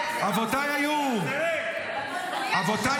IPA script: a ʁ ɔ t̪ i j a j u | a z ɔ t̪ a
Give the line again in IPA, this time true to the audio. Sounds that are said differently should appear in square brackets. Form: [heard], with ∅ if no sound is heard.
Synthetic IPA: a [v] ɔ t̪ [a] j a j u | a [v] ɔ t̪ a

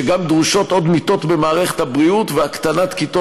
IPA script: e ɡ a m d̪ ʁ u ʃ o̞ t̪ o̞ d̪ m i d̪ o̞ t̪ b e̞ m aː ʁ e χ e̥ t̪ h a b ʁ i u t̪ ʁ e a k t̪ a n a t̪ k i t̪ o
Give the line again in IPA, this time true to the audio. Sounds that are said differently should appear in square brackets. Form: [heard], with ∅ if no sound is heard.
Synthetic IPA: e ɡ a m d̪ ʁ u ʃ o̞ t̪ o̞ d̪ m i [t̪] o̞ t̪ b e̞ m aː ʁ e χ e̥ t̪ h a b ʁ i u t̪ [v] e a k t̪ a n a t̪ k i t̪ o

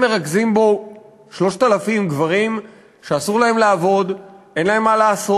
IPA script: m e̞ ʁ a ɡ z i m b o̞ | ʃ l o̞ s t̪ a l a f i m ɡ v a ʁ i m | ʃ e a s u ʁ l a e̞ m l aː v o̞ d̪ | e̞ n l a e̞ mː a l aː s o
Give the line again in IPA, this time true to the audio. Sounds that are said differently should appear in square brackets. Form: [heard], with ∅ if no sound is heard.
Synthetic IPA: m e̞ ʁ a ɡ z i m b o̞ | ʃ l o̞ [ʃ] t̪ a l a f i m ɡ v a ʁ i m | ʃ e a s u ʁ l a e̞ m l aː v o̞ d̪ | e̞ n l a e̞ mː a l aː s o

